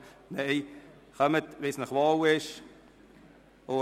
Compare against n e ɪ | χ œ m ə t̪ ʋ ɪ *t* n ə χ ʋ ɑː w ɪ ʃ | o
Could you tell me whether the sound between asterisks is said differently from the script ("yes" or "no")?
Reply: yes